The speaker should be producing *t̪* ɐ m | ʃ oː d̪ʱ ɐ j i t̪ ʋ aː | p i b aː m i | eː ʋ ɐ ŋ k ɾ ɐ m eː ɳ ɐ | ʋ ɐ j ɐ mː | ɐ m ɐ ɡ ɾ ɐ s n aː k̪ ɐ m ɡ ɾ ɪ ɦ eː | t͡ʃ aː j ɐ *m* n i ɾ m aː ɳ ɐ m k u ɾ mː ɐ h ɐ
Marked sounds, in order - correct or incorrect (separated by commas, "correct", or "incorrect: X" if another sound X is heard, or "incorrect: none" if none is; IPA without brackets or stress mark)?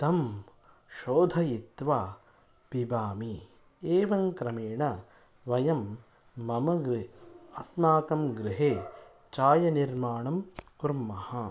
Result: correct, incorrect: none